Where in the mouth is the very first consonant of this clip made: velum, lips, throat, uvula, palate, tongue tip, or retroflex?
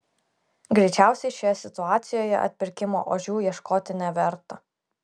velum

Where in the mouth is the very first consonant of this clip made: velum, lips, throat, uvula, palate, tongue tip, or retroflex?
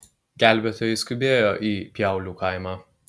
velum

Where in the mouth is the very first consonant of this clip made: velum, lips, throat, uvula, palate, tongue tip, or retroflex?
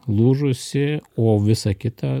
tongue tip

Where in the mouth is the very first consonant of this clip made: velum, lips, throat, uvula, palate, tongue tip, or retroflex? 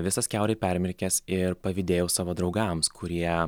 lips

